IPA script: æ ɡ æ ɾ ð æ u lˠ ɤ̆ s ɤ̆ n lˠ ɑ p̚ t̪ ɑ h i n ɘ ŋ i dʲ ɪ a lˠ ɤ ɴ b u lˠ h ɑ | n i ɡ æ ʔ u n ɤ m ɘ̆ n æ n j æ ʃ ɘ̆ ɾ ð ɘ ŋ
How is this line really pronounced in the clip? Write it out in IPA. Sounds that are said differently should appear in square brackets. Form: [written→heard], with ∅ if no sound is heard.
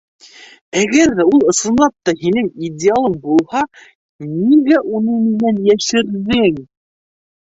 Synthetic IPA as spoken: æ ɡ æ ɾ ð æ u lˠ ɤ̆ s ɤ̆ n lˠ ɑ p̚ t̪ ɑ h i n ɘ ŋ i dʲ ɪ a lˠ ɤ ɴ b u lˠ h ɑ | n i ɡ æ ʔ u n ɤ m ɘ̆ n æ n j æ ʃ ɘ̆ ɾ ð ɘ ŋ